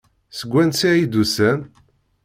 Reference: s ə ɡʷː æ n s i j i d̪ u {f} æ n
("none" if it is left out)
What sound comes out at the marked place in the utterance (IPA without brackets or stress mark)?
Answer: s